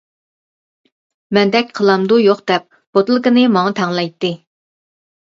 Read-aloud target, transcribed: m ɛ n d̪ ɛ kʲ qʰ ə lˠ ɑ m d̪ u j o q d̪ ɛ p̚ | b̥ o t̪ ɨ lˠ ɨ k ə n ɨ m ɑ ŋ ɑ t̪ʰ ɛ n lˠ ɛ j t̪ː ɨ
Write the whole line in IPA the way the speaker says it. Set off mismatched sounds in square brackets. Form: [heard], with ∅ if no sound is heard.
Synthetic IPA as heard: m ɛ n d̪ ɛ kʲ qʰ ə lˠ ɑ m d̪ u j o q d̪ ɛ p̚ | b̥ o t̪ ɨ lˠ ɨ k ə n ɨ m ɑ ŋ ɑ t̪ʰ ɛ [ŋ] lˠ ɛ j t̪ː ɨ